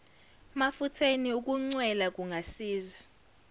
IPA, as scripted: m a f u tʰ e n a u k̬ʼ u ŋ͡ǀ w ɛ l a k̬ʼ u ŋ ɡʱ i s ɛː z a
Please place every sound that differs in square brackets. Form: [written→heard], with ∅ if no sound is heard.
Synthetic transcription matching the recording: m a f u tʰ e n [a→i] u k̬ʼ u ŋ͡ǀ w ɛ l a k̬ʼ u ŋ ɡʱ [i→a] s [ɛː→iː] z a